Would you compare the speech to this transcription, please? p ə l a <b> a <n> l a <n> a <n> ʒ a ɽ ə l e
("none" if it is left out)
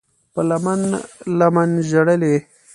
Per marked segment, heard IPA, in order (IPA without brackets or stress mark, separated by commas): m, n, m, n